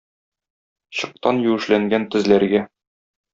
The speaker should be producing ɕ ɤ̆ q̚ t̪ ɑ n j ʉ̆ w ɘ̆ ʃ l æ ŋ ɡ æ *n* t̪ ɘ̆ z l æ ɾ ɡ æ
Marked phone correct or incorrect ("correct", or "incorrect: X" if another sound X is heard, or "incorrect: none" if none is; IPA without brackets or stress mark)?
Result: correct